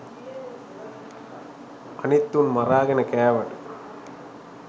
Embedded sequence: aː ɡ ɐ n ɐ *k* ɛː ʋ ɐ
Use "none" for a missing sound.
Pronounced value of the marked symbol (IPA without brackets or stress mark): k